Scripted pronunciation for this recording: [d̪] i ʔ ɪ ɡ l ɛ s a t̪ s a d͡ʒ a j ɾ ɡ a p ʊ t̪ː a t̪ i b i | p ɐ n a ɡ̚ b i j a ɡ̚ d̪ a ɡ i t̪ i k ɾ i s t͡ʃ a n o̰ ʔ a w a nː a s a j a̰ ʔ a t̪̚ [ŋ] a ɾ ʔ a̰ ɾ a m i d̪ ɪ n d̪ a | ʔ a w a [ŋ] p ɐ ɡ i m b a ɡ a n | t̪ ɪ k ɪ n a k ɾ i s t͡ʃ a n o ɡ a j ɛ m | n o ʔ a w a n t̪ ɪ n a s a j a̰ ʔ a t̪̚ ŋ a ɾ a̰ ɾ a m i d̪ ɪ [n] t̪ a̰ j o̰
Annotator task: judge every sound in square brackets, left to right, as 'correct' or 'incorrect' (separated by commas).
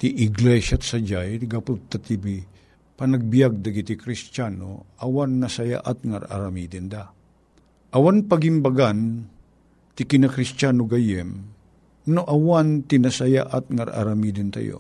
incorrect, correct, incorrect, correct